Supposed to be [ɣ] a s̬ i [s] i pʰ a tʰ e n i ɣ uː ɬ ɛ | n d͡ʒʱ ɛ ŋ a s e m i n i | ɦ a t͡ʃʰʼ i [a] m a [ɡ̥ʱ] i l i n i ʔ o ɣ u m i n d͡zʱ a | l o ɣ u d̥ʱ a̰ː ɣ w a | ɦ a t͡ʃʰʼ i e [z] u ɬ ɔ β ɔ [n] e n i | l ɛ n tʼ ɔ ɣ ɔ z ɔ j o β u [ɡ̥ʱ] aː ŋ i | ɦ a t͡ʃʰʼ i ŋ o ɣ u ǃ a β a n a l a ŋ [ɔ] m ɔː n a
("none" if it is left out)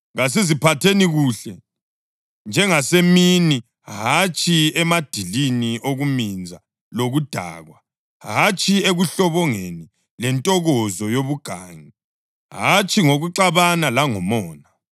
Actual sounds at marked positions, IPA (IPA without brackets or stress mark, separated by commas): ɣ, z, ɛ, d̥ʱ, ɣ, ŋ, ɡ̥ʱ, ɔ